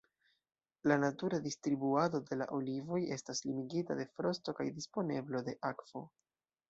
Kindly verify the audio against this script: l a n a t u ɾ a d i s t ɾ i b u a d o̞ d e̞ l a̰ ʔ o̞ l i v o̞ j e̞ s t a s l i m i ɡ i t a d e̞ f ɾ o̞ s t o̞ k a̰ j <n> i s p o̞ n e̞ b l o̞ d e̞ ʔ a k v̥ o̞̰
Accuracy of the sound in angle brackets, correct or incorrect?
incorrect: d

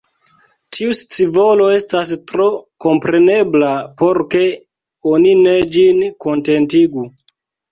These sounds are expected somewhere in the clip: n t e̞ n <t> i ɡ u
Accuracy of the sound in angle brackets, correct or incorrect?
correct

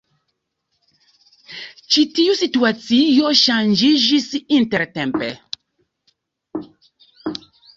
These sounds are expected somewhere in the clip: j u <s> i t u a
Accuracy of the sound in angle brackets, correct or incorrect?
correct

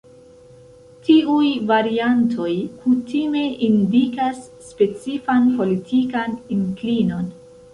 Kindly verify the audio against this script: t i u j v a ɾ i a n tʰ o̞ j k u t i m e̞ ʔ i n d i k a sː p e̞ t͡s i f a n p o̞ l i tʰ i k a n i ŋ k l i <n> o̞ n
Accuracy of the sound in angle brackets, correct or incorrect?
correct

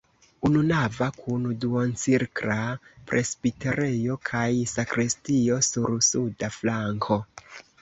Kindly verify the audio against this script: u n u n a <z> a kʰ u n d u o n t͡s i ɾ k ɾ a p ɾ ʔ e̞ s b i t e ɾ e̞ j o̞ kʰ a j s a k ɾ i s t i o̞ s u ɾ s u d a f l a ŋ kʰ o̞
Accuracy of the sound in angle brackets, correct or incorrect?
incorrect: v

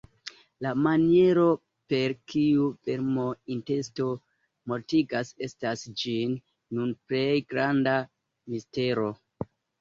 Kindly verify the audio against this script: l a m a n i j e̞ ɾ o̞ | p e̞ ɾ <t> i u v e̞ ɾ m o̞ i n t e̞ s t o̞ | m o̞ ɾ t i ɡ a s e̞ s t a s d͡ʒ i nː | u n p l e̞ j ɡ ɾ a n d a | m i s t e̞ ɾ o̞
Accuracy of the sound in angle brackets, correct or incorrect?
incorrect: k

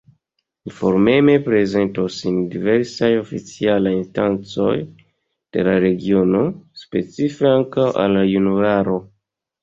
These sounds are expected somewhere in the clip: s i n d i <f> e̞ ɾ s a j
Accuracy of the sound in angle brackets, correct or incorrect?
incorrect: v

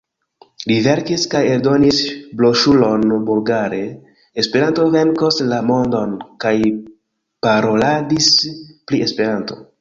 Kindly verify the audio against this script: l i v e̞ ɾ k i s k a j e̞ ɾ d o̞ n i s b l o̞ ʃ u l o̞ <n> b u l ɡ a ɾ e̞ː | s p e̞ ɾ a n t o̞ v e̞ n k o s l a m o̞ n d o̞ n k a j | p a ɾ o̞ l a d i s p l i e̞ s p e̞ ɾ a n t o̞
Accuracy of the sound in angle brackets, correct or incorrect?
correct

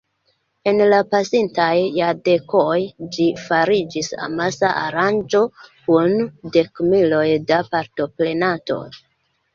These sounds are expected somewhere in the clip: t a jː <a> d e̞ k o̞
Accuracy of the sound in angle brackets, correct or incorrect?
correct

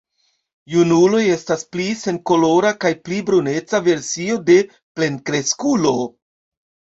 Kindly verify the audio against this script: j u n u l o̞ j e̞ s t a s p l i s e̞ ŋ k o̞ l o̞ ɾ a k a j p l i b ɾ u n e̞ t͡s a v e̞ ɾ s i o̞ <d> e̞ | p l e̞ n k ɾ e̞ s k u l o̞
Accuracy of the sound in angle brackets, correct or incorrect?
correct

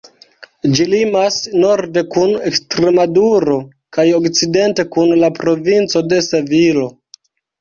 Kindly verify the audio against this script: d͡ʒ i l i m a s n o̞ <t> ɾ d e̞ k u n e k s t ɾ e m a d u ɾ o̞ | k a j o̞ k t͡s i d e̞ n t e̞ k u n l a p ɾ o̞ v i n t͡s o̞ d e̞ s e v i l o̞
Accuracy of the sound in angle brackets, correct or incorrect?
incorrect: none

